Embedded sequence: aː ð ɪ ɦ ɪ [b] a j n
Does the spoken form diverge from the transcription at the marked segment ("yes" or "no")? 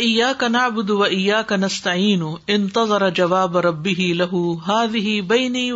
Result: no